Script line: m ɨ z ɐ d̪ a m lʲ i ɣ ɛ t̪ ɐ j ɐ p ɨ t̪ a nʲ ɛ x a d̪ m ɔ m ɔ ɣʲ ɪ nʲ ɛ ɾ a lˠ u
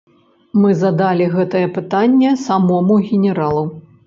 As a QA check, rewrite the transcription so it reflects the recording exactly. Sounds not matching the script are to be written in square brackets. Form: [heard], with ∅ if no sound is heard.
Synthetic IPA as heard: m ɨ z ɐ d̪ a [∅] lʲ i ɣ ɛ t̪ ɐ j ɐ p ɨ t̪ a [nʲː] ɛ [s] a [∅] m ɔ m [u] ɣʲ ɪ nʲ ɛ ɾ a lˠ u